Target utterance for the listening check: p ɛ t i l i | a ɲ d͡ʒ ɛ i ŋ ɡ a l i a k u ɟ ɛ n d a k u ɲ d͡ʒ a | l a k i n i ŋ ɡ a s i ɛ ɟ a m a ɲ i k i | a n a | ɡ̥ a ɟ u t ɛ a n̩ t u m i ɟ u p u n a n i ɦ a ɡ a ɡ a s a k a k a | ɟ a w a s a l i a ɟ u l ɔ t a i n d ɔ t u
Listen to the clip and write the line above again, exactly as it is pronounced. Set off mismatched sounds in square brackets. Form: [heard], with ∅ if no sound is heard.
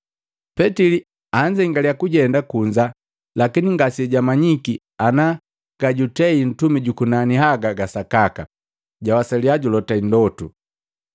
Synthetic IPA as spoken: p ɛ t i l i | a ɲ d͡ʒ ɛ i ŋ ɡ a l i a k u ɟ ɛ n d a k u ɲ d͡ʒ a | l a k i n i ŋ ɡ a s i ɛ ɟ a m a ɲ i k i | a n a | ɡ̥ a ɟ u t ɛ [i] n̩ t u m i ɟ u [k] u n a n i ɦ a ɡ a ɡ a s a k a k a | ɟ a w a s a l i a ɟ u l ɔ t a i n d ɔ t u